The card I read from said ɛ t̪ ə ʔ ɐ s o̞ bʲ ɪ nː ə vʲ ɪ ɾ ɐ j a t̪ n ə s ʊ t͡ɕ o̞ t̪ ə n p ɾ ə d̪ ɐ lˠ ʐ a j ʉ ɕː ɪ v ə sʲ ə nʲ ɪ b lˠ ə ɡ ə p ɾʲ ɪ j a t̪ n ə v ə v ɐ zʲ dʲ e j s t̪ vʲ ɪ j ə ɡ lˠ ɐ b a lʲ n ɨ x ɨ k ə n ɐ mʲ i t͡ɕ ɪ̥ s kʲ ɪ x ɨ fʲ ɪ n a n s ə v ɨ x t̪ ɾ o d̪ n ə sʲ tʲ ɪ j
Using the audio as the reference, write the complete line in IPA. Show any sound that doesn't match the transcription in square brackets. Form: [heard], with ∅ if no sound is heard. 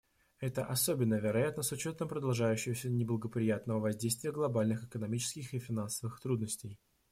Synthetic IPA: ɛ t̪ ə ʔ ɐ s o̞ bʲ ɪ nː ə vʲ ɪ ɾ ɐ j a t̪ n ə s ʊ t͡ɕ o̞ t̪ ə [m] p ɾ ə d̪ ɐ lˠ ʐ a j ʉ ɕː ɪ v ə sʲ ə nʲ ɪ b lˠ ə ɡ ə p ɾʲ ɪ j a t̪ n ə v ə v ɐ zʲ dʲ e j s t̪ vʲ ɪ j ə ɡ lˠ ɐ b a lʲ n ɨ x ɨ k ə n ɐ mʲ i t͡ɕ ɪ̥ s kʲ ɪ x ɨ fʲ ɪ n a n s ə v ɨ x t̪ ɾ [u] d̪ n ə sʲ tʲ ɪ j